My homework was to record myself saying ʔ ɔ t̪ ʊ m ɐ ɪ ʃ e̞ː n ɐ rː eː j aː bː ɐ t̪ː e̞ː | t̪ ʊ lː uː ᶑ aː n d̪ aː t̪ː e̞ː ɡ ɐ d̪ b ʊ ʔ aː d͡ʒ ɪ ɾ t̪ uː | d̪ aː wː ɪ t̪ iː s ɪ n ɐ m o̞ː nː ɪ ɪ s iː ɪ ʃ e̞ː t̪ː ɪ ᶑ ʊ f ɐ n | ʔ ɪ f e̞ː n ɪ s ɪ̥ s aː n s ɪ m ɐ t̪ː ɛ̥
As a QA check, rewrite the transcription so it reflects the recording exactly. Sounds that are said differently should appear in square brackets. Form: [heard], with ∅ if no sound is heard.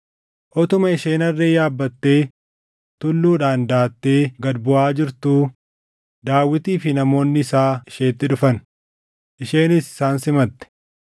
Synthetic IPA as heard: ʔ ɔ t̪ ʊ m ɐ ɪ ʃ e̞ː n ɐ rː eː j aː bː ɐ t̪ː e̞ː | t̪ ʊ lː uː ᶑ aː n d̪ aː t̪ː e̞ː ɡ ɐ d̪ b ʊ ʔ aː d͡ʒ ɪ ɾ t̪ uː | d̪ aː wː ɪ t̪ iː [f] ɪ n ɐ m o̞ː nː ɪ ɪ s [aː] ɪ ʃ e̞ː t̪ː ɪ ᶑ ʊ f ɐ n | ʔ ɪ [ʃ] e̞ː n ɪ s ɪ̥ s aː n s ɪ m ɐ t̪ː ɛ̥